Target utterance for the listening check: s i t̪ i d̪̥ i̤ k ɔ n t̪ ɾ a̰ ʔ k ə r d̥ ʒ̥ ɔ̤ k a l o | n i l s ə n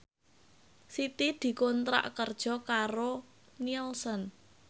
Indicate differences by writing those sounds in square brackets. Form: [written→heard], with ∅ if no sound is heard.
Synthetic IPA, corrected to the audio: s i t̪ i d̪̥ i̤ k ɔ n t̪ ɾ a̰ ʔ k ə r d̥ ʒ̥ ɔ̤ k a [l→ɾ] o | n i l s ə n